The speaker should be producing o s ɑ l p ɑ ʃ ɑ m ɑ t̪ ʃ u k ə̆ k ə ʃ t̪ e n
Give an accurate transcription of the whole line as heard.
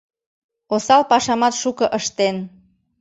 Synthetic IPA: o s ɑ l p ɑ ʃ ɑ m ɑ t̪ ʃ u k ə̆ ʔ ə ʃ t̪ e n